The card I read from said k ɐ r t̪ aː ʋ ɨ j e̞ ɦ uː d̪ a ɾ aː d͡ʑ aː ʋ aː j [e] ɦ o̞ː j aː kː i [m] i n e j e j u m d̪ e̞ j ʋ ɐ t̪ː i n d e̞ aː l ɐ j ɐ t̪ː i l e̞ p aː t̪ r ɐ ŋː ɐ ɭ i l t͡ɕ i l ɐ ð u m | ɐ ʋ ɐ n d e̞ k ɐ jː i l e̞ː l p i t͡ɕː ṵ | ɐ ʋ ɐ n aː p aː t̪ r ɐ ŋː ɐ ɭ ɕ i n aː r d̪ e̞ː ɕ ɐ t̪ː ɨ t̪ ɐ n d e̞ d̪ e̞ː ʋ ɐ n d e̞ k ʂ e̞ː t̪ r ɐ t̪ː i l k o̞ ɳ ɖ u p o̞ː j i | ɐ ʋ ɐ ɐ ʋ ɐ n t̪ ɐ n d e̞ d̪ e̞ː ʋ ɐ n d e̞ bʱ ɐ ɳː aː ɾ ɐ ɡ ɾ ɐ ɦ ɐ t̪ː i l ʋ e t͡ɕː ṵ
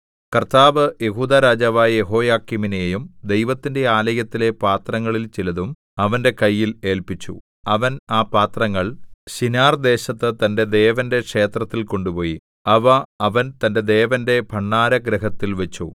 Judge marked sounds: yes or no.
yes, yes

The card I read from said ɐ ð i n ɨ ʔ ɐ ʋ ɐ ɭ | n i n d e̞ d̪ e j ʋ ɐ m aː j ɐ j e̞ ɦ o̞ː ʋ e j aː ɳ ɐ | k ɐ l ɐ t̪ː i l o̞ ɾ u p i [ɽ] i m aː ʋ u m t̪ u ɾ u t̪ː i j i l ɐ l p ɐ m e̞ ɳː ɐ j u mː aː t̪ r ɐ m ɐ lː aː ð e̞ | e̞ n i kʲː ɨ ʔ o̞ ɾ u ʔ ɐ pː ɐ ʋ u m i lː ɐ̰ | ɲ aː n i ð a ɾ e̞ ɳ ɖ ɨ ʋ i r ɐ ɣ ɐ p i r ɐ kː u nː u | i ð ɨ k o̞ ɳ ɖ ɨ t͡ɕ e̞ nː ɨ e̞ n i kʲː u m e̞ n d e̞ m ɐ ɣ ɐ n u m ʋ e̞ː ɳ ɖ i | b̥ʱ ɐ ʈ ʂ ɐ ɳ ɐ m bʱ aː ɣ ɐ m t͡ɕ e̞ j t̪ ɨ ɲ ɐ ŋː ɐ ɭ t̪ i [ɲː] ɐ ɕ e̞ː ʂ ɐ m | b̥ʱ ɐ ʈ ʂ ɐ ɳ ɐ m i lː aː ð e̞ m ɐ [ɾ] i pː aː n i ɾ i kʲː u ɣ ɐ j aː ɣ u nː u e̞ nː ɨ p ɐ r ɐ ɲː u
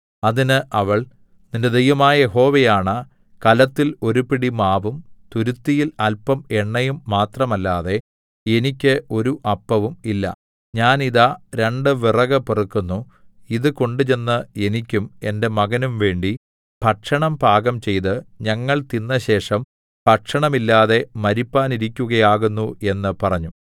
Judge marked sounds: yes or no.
yes, no, yes

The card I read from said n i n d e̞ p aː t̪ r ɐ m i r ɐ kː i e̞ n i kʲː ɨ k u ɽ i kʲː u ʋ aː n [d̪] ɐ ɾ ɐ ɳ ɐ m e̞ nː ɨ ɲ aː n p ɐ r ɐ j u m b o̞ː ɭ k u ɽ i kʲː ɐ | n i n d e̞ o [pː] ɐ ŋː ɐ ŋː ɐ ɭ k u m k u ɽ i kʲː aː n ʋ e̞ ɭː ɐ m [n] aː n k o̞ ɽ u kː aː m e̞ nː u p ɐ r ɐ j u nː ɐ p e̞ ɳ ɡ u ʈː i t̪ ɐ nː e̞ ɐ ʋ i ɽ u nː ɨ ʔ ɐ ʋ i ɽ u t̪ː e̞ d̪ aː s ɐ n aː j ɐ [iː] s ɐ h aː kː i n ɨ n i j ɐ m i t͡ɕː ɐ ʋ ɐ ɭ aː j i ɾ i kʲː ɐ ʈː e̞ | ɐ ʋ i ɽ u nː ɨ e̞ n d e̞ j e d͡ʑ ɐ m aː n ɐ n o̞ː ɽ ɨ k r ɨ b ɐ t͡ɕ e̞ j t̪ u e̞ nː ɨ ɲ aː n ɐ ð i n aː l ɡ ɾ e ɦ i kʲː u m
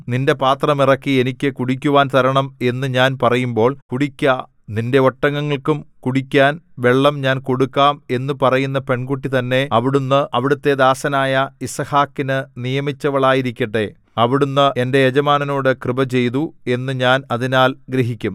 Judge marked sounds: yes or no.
no, no, no, no

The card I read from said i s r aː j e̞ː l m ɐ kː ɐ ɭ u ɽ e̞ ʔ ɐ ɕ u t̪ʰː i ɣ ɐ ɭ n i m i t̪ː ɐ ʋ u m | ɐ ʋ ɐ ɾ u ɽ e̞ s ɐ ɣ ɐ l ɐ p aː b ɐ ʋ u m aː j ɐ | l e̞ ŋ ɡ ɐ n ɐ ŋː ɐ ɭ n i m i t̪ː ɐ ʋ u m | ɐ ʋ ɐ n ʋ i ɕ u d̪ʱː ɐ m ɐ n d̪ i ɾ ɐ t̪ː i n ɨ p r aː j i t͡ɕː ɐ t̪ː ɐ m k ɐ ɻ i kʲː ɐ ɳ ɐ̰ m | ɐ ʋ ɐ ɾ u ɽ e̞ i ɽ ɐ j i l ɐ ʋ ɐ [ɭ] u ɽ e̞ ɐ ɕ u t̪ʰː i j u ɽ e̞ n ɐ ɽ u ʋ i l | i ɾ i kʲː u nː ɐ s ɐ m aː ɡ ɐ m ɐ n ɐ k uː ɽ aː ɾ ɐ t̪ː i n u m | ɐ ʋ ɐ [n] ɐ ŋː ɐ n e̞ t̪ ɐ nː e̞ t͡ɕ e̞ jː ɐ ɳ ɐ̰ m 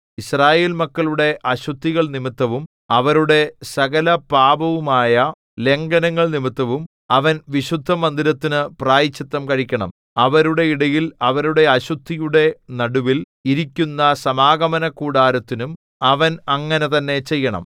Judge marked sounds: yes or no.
no, yes

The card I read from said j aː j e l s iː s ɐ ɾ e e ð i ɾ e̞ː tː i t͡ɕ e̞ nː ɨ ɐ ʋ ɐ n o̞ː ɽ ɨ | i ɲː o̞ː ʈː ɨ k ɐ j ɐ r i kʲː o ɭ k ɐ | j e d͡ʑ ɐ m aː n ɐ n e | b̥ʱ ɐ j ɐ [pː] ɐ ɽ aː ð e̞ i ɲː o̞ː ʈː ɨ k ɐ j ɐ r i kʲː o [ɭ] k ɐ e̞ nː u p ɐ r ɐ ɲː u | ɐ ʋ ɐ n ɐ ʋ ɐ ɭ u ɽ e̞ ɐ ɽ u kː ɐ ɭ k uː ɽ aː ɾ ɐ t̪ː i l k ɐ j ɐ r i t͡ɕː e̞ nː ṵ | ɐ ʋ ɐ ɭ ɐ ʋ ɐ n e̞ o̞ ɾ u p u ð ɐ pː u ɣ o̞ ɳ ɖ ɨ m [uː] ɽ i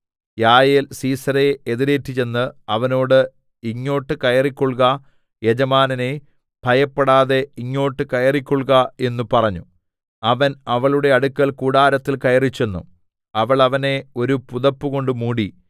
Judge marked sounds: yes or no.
yes, yes, yes

